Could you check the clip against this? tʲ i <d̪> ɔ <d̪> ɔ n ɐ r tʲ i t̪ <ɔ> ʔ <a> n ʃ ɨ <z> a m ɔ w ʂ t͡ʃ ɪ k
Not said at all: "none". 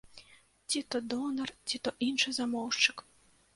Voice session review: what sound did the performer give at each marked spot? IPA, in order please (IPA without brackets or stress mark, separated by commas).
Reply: t̪, d̪, ɔ, i, z